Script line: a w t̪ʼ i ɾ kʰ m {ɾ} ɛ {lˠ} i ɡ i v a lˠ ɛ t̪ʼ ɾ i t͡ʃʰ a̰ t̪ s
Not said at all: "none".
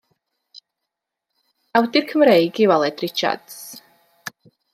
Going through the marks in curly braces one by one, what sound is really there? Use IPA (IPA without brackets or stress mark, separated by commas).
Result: ɾ, none